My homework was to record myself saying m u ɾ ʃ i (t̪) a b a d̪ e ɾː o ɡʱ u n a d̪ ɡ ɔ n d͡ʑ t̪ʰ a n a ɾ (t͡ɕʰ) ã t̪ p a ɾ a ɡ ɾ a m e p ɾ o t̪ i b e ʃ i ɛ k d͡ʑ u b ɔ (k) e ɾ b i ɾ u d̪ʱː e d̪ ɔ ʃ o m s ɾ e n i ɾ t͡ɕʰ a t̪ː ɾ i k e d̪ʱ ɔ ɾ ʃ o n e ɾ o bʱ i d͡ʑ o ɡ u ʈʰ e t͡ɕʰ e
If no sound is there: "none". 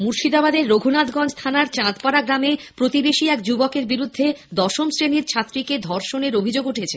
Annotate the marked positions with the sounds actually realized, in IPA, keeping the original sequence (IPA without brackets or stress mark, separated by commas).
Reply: d̪, t͡ɕ, k